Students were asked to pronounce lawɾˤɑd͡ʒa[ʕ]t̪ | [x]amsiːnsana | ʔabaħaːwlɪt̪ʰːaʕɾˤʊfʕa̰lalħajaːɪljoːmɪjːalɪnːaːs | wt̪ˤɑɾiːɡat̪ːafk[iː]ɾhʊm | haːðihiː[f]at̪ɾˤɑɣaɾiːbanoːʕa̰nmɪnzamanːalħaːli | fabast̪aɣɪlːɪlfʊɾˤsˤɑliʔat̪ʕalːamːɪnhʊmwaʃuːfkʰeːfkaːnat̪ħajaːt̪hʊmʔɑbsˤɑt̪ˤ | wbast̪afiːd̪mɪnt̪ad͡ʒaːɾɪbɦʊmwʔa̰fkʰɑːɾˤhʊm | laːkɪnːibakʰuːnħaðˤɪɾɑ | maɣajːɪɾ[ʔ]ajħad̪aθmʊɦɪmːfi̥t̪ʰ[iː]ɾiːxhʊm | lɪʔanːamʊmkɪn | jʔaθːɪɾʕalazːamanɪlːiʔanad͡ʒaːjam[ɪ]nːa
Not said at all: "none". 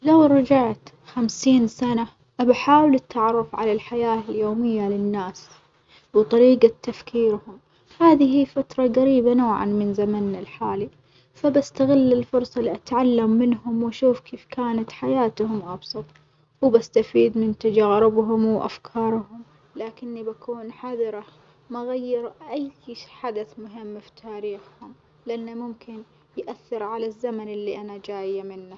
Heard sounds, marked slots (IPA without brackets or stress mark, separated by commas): ʕ, x, iː, f, ʔ, aː, ɪ